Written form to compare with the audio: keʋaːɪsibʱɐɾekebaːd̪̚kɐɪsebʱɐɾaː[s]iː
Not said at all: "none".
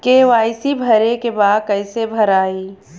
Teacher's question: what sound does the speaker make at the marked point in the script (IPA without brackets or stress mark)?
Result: none